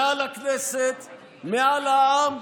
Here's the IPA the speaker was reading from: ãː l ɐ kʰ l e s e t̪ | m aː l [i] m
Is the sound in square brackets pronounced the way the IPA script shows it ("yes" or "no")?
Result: no